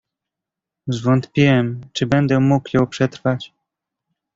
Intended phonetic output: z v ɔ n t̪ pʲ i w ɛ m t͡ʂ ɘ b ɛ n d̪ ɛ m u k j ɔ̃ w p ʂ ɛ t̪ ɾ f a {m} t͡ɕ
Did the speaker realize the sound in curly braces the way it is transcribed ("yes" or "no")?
no